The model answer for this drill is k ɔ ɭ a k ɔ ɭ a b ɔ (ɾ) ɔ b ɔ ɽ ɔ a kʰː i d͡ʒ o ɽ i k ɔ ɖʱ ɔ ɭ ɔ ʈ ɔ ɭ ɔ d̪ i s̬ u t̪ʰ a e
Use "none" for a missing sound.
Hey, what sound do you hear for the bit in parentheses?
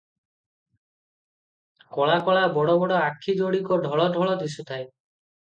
ɽ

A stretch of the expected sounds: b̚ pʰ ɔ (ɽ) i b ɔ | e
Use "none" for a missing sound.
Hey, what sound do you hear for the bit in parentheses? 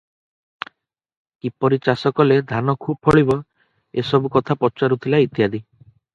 ɭ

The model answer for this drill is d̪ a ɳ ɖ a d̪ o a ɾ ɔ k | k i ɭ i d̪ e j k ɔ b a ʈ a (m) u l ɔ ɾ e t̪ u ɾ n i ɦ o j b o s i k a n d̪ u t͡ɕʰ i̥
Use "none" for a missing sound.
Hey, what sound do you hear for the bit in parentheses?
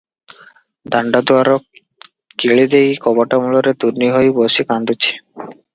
m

